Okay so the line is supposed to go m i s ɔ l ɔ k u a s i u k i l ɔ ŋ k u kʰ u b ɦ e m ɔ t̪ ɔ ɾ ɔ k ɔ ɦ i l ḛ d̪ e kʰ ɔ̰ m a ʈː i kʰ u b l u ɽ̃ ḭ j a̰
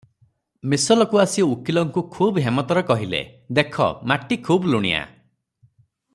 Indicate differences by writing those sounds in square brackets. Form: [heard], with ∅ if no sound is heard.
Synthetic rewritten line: m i s ɔ l ɔ k u a s i u k i l ɔ ŋ k u kʰ u b ɦ e m ɔ t̪ ɔ ɾ ɔ k ɔ ɦ i l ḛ d̪ e kʰ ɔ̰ m a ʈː i kʰ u b l u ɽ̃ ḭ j a̰